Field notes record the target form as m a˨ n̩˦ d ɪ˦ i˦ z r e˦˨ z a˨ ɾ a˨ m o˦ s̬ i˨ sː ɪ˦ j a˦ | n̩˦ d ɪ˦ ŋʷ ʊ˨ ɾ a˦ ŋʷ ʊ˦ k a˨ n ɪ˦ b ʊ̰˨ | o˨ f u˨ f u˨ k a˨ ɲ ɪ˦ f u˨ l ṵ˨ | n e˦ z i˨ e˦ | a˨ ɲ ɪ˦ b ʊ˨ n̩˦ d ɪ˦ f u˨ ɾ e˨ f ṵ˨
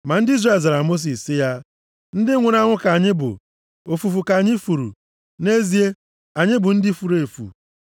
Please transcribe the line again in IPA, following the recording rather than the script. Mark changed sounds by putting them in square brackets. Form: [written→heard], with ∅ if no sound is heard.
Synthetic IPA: m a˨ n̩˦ d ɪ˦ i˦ z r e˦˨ z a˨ ɾ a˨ m o˦ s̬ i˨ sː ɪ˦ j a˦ | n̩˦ d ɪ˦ ŋʷ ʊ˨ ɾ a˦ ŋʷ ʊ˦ k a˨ [n→ɲ] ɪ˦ b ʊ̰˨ | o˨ f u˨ f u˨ k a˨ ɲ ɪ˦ f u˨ [l→ɾ] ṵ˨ | n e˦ z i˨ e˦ | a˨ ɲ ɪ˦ b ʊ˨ n̩˦ d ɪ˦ f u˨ ɾ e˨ f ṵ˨